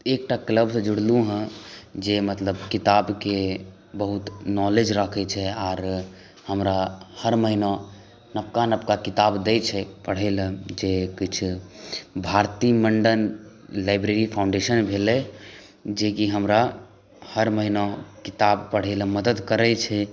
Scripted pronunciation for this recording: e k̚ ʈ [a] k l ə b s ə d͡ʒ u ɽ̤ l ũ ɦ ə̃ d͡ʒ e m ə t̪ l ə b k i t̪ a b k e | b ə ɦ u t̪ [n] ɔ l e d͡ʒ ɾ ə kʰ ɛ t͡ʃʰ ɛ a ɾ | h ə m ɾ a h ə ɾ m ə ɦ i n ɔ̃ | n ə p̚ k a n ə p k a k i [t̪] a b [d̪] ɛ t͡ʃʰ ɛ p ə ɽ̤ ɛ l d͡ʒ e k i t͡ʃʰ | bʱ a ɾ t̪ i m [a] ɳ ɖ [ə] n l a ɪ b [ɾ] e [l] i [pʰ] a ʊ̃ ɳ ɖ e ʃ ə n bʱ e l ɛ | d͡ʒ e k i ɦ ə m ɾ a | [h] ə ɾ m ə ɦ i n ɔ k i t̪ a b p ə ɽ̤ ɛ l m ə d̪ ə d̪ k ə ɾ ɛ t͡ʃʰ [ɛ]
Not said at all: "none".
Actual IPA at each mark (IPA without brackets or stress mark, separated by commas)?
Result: a, n, t̪, d̪, ə, ə, ɾ, ɾ, pʰ, h, ɛ